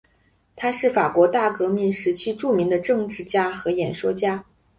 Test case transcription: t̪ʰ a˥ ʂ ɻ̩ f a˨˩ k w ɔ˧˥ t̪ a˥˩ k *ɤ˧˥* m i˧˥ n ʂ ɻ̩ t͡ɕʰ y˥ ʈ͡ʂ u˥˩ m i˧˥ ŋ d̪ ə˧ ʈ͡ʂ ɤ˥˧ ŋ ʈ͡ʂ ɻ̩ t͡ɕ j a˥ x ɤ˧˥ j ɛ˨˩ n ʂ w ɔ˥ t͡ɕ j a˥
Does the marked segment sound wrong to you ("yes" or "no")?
no